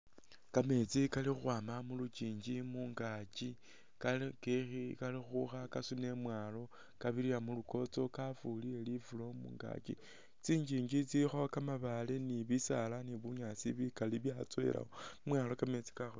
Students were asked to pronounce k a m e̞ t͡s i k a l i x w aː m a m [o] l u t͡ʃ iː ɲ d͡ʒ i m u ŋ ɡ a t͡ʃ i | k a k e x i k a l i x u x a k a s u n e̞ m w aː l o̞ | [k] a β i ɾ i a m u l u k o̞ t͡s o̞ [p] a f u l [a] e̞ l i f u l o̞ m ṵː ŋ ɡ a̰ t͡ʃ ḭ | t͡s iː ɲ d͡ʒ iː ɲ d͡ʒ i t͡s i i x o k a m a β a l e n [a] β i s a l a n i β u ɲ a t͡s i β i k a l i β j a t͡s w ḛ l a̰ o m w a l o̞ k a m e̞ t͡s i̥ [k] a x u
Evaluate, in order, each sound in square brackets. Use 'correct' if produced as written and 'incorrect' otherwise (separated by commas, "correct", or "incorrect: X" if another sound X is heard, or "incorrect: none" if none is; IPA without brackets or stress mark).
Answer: incorrect: u, correct, incorrect: k, incorrect: i, incorrect: i, correct